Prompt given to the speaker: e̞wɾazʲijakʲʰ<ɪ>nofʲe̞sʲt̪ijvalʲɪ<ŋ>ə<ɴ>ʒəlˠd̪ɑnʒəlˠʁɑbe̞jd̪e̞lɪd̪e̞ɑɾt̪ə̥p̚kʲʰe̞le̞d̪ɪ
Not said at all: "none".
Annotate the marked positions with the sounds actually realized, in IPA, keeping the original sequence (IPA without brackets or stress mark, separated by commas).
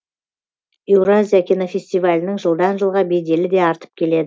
i, n, ŋ